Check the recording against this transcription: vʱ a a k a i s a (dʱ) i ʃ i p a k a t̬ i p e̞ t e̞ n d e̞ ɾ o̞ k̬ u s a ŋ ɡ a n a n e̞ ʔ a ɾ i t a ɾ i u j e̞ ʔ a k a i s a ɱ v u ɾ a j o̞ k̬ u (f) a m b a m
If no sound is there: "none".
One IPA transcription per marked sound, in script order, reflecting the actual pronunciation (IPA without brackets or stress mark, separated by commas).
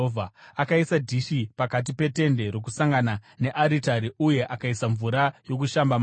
dʱ, ʃ